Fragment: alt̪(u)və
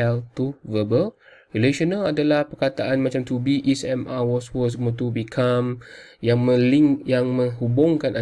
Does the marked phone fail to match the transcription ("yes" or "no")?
no